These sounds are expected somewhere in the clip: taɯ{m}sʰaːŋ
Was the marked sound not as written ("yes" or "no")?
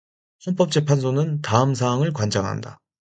no